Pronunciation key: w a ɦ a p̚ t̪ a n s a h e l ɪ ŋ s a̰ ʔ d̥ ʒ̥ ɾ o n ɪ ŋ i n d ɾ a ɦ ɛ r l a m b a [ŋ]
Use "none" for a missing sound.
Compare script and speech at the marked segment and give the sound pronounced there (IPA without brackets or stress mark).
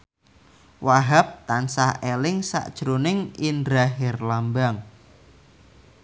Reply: ŋ